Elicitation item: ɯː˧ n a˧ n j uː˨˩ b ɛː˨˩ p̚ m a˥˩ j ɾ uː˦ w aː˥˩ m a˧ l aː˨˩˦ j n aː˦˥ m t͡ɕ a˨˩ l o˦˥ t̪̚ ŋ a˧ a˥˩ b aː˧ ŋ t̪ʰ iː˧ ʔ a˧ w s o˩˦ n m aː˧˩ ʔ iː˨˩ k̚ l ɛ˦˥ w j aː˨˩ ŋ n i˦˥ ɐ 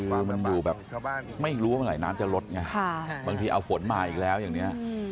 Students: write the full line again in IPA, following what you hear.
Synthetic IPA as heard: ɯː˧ m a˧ n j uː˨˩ b ɛː˨˩ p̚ m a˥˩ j ɾ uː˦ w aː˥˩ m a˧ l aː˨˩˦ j n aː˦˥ m t͡ɕ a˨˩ l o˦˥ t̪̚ ŋ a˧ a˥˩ b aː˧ ŋ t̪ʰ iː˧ ʔ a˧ w f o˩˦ n m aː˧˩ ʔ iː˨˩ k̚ l ɛː˦˥ w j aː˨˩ ŋ n i˦˥ ɐ